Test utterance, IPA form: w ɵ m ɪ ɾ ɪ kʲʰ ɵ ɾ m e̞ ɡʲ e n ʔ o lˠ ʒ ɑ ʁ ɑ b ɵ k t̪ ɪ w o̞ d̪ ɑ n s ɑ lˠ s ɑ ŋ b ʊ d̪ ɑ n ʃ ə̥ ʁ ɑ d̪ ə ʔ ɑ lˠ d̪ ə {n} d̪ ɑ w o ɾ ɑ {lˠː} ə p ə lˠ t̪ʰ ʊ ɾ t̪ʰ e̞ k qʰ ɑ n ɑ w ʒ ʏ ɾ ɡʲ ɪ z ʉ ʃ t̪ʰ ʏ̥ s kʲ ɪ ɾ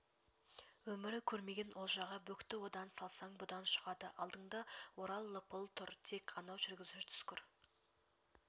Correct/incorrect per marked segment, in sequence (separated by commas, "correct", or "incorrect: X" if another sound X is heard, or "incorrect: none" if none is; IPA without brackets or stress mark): incorrect: ɴ, correct